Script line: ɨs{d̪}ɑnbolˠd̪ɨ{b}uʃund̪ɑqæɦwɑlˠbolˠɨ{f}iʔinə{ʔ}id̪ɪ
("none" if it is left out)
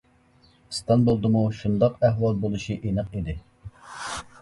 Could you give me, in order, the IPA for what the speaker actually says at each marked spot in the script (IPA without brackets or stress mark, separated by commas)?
t̪, m, ʃ, q